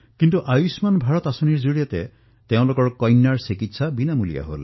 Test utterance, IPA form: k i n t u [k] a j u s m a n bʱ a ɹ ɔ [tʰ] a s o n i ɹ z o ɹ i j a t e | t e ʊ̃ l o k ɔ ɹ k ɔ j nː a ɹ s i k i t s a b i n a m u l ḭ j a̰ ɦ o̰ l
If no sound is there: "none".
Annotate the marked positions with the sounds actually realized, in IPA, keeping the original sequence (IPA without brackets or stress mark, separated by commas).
ʔ, t